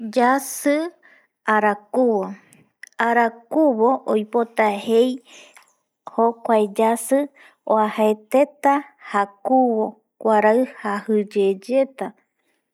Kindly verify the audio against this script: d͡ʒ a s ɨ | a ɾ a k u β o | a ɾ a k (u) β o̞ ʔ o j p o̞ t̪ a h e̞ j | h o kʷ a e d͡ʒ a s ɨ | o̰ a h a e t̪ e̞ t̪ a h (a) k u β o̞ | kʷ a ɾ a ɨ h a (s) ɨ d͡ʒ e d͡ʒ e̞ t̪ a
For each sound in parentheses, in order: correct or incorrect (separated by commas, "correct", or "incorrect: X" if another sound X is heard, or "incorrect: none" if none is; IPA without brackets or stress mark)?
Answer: correct, correct, incorrect: h